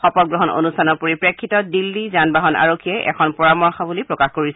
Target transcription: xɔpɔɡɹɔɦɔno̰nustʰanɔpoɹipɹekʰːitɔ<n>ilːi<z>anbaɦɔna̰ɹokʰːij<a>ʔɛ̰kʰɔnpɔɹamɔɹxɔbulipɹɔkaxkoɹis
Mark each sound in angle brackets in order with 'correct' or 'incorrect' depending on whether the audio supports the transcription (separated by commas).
incorrect, correct, incorrect